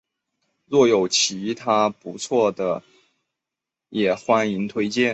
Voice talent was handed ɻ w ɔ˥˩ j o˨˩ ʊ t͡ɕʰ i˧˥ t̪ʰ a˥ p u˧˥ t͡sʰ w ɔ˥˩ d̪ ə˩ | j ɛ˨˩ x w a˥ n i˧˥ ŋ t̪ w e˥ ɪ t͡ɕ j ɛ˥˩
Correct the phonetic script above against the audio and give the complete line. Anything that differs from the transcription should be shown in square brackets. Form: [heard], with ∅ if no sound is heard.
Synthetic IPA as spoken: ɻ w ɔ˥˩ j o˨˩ ʊ t͡ɕʰ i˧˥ t̪ʰ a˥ p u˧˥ t͡sʰ w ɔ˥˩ d̪ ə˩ | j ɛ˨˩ x w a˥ n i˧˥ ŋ [t̪ʰ] w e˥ ɪ t͡ɕ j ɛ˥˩